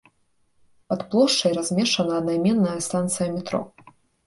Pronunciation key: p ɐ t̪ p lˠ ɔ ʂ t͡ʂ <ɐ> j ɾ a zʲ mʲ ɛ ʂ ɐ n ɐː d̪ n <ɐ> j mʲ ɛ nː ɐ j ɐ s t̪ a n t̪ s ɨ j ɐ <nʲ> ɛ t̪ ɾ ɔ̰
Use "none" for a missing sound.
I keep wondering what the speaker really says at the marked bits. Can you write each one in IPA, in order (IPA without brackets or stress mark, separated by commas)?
ɐ, a, mʲ